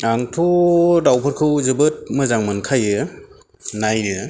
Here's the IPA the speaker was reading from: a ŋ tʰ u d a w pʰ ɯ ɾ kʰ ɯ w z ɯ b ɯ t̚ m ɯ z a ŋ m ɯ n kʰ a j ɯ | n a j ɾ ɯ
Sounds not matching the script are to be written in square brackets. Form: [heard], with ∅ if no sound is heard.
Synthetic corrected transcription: a ŋ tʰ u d a w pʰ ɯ ɾ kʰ ɯ w z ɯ b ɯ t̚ m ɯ z a ŋ m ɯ n kʰ a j ɯ | n a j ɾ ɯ

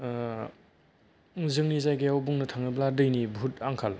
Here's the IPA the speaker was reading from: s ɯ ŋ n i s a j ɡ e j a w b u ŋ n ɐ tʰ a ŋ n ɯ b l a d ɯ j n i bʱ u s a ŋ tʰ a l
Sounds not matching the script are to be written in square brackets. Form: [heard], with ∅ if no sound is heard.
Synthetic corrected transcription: [z] ɯ ŋ n i [z] a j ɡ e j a w b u ŋ n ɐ tʰ a ŋ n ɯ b l a d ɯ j n i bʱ u [t] a ŋ [kʰ] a l

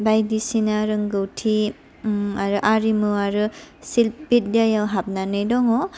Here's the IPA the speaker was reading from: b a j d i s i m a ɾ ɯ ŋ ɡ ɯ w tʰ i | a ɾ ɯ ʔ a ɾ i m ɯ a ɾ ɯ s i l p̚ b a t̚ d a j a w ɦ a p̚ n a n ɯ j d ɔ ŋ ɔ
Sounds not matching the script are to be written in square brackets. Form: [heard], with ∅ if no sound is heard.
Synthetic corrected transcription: b a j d i s i [n] a ɾ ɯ ŋ ɡ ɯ w tʰ i | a ɾ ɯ ʔ a ɾ i m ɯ a ɾ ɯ s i l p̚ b [i] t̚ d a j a w ɦ a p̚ n a n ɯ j d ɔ ŋ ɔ

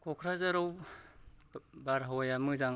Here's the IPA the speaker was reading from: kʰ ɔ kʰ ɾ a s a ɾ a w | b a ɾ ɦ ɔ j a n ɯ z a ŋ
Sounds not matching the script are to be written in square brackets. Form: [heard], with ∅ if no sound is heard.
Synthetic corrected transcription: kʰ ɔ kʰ ɾ a [z] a ɾ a w | b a ɾ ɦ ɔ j a [m] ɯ z a ŋ

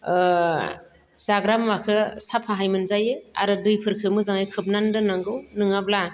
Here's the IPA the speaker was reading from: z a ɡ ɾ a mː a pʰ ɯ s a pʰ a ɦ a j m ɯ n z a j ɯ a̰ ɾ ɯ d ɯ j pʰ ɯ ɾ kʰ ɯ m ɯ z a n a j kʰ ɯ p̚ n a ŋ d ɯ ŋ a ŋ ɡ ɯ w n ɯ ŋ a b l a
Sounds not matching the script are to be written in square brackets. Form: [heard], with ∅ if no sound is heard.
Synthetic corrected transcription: z a ɡ ɾ a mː a [kʰ] ɯ s a pʰ a ɦ a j m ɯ n z a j ɯ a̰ ɾ ɯ d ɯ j pʰ ɯ ɾ kʰ ɯ m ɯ z a [ŋ] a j kʰ ɯ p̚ n a [n] d ɯ [n] a ŋ ɡ ɯ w n ɯ ŋ a b l a

